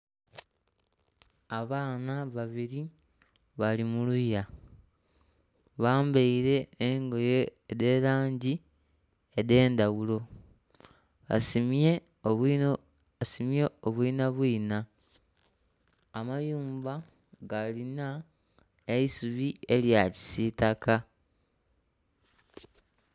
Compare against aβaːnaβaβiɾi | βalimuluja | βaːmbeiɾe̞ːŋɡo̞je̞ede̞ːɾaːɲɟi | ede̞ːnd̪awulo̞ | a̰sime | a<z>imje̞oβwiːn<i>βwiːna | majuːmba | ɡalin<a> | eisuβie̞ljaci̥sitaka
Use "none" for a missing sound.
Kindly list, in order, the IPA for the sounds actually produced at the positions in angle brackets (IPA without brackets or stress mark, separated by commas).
s, a, a